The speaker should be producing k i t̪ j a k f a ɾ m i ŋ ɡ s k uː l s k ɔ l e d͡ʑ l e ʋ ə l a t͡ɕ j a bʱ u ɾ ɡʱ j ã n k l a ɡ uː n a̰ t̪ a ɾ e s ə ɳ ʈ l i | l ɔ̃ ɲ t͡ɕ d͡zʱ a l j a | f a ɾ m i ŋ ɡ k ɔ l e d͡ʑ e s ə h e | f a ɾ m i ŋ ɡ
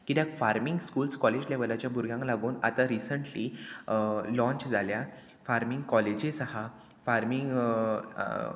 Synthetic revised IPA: k i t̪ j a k f a ɾ m i ŋ ɡ s k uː l s k ɔ l e d͡ʑ l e ʋ ə l a t͡ɕ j a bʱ u ɾ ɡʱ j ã ŋ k l a ɡ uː n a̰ t̪ a ɾ i s ə ɳ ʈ l i | l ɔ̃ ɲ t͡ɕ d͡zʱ a l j a | f a ɾ m i ŋ ɡ k ɔ l e d͡ʑ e s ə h a | f a ɾ m i ŋ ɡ